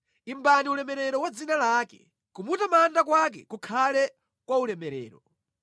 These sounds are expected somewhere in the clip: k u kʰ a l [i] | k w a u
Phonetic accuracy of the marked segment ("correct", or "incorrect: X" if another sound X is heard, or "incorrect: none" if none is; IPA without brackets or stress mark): incorrect: ɛ